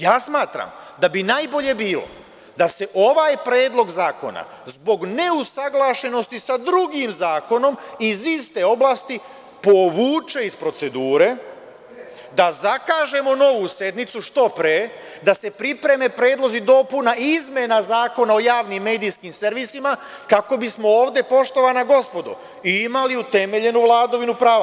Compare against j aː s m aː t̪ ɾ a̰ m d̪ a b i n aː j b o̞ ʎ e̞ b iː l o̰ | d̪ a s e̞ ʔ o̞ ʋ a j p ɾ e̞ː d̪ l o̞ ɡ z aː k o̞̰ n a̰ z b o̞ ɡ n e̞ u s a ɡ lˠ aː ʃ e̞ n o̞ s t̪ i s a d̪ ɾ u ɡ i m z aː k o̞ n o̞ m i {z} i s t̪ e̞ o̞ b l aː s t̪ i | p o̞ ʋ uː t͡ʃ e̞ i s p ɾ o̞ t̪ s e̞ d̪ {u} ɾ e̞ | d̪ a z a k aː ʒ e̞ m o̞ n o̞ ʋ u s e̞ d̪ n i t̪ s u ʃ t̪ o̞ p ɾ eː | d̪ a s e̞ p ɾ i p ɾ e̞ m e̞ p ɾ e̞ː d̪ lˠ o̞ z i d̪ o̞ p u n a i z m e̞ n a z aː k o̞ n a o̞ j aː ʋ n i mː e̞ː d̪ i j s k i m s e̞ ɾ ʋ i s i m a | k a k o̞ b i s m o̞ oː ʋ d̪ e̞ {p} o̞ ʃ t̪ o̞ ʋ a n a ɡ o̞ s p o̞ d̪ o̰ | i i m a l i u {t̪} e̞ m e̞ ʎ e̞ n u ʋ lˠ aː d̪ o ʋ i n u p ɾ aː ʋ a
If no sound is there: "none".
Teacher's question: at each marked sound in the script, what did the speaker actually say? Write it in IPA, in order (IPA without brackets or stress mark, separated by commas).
z, uː, p, t̪